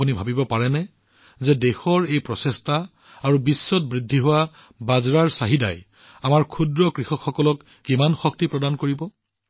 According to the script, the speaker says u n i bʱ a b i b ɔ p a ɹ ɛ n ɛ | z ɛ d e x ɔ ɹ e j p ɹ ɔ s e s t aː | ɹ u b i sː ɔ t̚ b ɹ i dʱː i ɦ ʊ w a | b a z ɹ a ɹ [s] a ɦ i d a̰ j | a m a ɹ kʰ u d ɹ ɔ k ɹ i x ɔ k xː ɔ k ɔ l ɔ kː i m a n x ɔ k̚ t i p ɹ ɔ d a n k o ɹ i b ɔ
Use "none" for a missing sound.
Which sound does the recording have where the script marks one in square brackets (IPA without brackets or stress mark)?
s